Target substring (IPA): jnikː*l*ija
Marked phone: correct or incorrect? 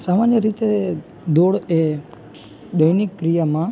incorrect